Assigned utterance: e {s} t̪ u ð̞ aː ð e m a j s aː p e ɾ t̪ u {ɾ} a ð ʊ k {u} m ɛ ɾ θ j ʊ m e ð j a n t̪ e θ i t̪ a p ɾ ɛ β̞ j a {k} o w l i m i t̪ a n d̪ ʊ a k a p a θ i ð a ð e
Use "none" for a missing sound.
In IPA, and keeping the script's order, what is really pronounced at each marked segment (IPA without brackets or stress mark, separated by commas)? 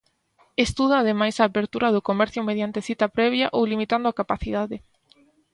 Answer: s, ɾ, o, ʔ